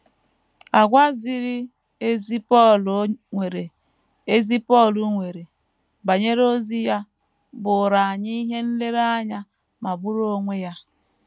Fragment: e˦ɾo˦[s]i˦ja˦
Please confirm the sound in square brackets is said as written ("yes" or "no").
no